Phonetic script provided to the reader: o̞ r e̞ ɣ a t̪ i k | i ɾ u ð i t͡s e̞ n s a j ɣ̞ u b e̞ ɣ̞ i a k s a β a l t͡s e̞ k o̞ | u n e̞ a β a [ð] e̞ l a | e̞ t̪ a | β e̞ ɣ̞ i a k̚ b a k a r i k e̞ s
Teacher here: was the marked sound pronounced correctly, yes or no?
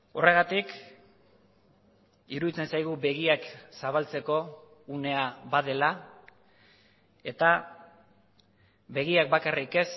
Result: yes